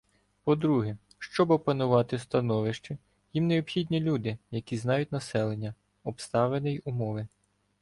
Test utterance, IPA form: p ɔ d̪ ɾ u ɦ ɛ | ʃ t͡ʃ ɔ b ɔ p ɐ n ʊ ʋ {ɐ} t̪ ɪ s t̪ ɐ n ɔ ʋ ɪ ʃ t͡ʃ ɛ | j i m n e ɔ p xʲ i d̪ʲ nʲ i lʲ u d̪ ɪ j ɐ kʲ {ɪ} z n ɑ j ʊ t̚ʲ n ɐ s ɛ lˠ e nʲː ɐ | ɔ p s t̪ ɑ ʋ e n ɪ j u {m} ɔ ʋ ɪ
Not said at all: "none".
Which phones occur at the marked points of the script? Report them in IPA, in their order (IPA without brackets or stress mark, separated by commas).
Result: ɑ, i, m